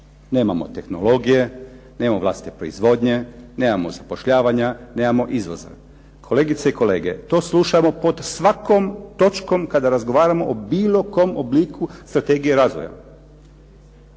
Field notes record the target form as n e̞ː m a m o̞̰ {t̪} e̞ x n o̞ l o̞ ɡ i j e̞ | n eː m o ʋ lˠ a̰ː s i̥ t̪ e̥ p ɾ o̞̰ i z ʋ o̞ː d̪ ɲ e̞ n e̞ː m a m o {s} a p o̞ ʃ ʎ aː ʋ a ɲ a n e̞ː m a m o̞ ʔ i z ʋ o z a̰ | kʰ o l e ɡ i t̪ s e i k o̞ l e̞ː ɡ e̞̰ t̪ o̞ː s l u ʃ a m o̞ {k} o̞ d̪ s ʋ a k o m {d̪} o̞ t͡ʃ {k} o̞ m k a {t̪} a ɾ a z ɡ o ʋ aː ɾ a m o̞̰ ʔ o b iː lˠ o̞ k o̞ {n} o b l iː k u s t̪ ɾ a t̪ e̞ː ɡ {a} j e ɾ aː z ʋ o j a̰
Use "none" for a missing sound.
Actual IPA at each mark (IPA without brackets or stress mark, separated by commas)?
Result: t̪, z, p, t̪, k, d̪, m, i